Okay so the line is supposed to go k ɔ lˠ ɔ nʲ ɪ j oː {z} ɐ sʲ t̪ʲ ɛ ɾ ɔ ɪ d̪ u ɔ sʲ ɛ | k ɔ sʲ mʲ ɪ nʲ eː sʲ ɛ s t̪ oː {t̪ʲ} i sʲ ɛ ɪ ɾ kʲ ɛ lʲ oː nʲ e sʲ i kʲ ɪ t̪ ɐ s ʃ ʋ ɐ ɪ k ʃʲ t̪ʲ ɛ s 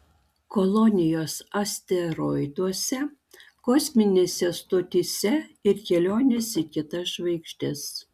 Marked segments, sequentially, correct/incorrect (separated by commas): incorrect, correct